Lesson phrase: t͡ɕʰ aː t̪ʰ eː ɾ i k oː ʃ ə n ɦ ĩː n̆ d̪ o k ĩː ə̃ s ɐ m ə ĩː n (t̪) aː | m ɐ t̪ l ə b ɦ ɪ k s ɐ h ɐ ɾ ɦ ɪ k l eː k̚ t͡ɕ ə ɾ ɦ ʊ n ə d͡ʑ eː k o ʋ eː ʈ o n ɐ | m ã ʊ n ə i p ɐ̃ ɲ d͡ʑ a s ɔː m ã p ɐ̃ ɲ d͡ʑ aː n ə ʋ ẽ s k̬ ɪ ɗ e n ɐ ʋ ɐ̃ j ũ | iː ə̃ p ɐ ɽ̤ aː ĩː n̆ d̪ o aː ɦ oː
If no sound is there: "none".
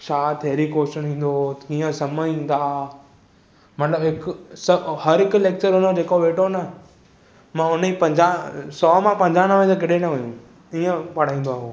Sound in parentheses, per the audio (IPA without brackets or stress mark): d̪